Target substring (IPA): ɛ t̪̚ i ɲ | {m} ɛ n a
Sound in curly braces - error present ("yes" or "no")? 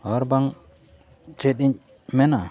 no